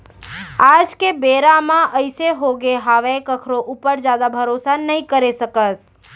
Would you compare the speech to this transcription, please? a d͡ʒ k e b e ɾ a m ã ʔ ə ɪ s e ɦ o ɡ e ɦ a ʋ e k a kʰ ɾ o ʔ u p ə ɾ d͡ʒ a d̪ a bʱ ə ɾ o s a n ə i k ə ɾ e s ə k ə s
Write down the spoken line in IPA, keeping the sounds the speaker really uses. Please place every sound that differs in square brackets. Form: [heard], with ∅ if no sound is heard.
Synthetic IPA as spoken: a d͡ʒ k e b e ɾ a m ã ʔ ə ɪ s e ɦ o ɡ e ɦ a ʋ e k [ə] kʰ ɾ o ʔ u p ə ɾ d͡ʒ a d̪ a bʱ ə ɾ o s a n ə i k ə ɾ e s ə k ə s